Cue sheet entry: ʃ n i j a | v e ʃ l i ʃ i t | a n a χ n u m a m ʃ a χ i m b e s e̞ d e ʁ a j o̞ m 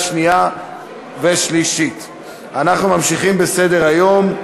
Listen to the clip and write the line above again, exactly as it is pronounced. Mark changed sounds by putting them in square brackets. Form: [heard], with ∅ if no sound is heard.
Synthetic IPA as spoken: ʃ n i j a | v e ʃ l i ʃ i t | a n a χ n u m a m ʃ [i] χ i m b e s e̞ d e ʁ a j o̞ m